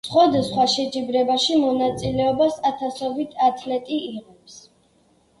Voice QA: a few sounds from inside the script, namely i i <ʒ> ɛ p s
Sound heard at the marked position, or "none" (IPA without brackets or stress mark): ʁ